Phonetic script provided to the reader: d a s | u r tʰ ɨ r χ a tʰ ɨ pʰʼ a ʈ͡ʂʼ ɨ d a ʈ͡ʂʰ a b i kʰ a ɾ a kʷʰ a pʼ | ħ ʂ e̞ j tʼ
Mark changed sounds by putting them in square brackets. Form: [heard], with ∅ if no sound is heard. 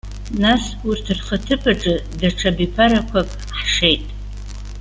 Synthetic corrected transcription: [n] a s | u r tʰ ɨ r χ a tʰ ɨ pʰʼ a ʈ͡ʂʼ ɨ d a ʈ͡ʂʰ a b i [pʰ] a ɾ a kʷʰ a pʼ | ħ ʂ e̞ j tʼ